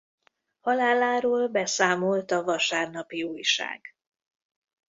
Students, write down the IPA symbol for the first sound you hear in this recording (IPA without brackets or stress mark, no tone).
h